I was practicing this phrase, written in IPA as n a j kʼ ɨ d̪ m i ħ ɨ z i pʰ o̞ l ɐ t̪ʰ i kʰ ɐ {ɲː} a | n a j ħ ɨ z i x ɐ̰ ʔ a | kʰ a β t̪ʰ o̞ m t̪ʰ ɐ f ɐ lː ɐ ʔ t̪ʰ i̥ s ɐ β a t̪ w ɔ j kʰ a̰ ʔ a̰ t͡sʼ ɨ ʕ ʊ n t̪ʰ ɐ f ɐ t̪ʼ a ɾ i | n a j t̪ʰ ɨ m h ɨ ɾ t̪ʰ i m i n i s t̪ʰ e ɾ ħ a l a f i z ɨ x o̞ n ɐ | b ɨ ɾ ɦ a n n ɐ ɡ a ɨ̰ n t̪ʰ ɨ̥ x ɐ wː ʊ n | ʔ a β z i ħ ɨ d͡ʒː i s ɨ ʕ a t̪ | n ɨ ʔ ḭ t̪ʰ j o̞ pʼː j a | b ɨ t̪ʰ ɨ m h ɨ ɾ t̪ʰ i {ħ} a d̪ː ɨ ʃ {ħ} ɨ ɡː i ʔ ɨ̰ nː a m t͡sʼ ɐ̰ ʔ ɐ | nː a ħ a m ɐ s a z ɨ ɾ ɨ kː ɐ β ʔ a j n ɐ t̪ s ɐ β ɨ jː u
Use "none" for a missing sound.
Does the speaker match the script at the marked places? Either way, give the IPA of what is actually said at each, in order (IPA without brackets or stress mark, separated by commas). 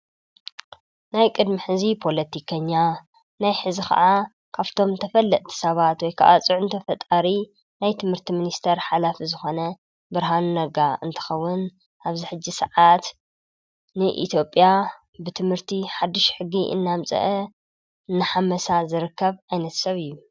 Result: ɲː, ħ, ħ